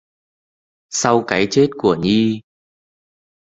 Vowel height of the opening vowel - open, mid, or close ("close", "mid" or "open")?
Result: open